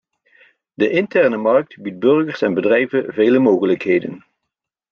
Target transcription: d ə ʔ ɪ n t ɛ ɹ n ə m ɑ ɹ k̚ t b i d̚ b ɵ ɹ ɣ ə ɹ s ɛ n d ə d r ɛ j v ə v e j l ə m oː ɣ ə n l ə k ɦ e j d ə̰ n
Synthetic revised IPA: d ə ʔ ɪ n t ɛ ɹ n ə m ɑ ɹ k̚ t b i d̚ b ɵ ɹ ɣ ə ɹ s ɛ n b ə d r ɛ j v ə v e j l ə m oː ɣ ə l ə k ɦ e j d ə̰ n